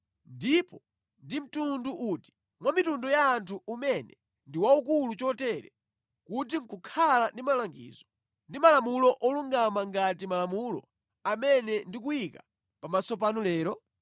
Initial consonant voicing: voiced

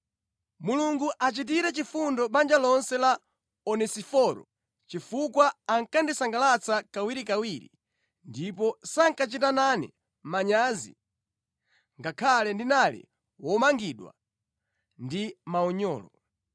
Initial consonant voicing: voiced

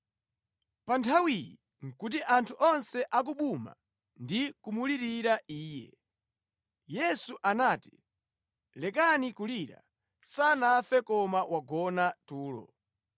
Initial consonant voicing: voiceless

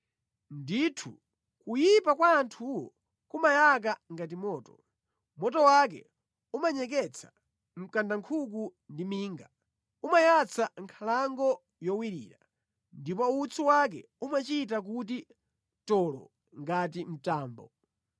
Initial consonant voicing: voiced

